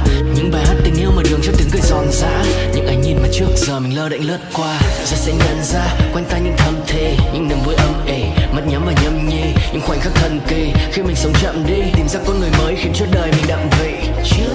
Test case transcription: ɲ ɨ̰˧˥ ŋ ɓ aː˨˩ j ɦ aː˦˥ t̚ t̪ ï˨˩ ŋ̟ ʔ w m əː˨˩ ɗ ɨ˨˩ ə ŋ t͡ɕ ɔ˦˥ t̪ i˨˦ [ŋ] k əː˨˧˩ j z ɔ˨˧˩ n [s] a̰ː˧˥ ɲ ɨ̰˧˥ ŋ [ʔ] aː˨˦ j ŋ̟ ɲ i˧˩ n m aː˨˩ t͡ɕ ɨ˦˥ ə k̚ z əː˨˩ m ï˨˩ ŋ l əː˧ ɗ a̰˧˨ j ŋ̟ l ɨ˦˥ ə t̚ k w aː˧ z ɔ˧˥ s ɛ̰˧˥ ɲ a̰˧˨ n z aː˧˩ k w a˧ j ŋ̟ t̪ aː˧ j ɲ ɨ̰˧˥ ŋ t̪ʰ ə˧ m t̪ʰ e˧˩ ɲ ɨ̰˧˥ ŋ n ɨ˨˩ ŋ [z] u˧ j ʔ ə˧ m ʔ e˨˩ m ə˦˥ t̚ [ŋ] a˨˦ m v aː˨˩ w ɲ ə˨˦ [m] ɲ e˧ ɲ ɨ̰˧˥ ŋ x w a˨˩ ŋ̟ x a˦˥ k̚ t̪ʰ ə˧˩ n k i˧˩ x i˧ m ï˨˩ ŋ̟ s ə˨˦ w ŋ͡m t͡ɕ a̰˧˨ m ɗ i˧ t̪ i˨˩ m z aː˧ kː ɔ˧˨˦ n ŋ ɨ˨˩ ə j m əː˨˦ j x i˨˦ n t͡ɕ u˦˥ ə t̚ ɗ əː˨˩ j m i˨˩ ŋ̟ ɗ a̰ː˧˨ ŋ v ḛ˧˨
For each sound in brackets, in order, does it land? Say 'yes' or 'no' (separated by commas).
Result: yes, no, yes, no, no, yes